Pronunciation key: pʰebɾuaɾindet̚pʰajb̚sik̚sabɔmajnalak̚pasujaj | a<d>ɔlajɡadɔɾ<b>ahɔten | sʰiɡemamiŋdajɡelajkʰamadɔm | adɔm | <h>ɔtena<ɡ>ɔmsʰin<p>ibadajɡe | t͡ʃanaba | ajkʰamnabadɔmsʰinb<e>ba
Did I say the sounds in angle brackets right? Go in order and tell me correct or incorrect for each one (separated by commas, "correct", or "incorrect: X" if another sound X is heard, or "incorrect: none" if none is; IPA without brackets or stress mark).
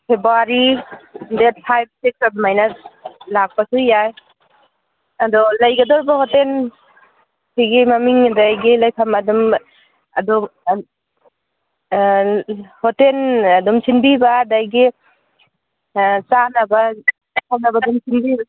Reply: correct, correct, correct, incorrect: d, incorrect: b, incorrect: i